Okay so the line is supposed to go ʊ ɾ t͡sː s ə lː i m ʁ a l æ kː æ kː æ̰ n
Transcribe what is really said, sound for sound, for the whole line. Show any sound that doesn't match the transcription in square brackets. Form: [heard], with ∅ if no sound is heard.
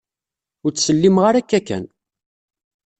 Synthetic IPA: ʊ ɾ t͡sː s ə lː i m ʁ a [ɾ] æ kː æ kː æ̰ n